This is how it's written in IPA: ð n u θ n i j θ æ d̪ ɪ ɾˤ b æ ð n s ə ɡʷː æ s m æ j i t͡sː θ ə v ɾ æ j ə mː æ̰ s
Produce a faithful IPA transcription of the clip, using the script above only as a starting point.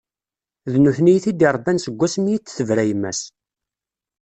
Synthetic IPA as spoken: ð n u θ n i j θ i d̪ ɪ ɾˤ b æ n s ə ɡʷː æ s m i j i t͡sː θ ə v ɾ æ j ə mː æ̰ s